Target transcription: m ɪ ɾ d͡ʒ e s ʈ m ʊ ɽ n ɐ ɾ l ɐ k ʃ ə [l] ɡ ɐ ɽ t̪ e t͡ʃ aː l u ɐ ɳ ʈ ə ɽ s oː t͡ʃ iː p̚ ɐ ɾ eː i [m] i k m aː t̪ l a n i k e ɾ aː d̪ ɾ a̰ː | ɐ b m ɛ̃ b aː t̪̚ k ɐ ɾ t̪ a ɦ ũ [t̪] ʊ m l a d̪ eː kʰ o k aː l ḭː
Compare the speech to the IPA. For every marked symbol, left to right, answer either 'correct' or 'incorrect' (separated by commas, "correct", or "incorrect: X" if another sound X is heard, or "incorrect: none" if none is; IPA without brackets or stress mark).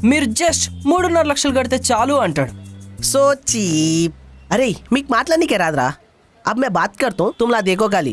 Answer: correct, correct, correct